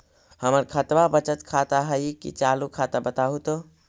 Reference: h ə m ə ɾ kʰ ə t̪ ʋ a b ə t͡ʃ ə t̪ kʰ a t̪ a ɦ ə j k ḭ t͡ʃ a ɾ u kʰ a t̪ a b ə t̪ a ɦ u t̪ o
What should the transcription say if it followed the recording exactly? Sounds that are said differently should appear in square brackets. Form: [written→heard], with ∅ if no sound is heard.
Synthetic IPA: h ə m ə ɾ kʰ ə t̪ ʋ a b ə t͡ʃ ə t̪ kʰ a t̪ a ɦ ə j k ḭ t͡ʃ a [ɾ→l] u kʰ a t̪ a b ə t̪ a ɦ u t̪ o

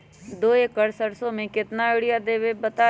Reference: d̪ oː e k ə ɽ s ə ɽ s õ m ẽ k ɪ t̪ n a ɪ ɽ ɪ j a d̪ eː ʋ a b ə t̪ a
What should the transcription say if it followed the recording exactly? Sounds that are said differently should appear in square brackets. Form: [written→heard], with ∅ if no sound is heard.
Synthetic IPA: d̪ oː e k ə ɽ s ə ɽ s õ m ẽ k ɪ t̪ n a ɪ ɽ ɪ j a d̪ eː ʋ [a→e] b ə t̪ a

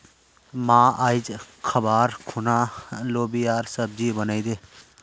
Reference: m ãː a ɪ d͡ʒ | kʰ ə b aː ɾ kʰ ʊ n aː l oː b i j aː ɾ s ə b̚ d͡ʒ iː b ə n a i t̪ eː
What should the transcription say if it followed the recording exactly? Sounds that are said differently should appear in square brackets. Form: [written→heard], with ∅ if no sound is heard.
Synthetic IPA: m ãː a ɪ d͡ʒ | kʰ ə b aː ɾ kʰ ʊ n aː l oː b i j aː ɾ s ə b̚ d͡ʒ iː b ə n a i [t̪→d̪] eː

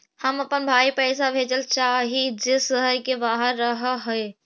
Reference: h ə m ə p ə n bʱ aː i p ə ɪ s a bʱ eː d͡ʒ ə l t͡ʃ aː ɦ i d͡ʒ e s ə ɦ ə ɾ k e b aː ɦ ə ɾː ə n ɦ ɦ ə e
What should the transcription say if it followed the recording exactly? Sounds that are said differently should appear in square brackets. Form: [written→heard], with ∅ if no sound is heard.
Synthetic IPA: h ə m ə p ə n bʱ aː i p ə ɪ s a bʱ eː d͡ʒ ə l t͡ʃ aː ɦ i d͡ʒ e s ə ɦ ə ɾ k e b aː ɦ ə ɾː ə [n→∅] ɦ ɦ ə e

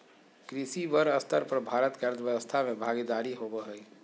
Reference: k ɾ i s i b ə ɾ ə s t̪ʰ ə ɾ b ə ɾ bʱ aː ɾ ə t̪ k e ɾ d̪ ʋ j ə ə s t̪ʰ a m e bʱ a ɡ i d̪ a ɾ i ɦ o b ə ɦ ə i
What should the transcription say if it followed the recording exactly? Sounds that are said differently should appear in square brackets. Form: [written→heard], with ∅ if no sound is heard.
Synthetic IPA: k ɾ i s i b ə ɾ ə s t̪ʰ ə ɾ [b→p] ə ɾ bʱ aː ɾ ə t̪ k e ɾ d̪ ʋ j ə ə s t̪ʰ a m e bʱ a ɡ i d̪ a ɾ i ɦ o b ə ɦ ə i

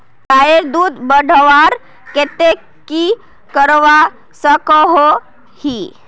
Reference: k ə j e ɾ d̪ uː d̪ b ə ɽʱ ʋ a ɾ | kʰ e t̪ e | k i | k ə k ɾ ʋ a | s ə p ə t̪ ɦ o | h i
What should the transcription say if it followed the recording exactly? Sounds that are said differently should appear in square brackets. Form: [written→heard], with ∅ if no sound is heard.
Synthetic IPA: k [ə→a] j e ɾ d̪ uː d̪ b ə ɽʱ ʋ a ɾ | [kʰ→k] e t̪ e | k i | k ə [k→∅] ɾ ʋ a | s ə [p→k] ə [t̪→∅] ɦ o | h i

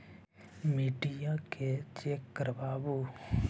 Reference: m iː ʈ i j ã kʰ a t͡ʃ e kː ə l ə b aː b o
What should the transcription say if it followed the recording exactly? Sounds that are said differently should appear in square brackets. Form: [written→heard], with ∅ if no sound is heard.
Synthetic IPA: m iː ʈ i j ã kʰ [a→e] t͡ʃ e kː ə [l→ɾ] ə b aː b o

